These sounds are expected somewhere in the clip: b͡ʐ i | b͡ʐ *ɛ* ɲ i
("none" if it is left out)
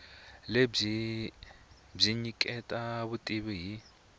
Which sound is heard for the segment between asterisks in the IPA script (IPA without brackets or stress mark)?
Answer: i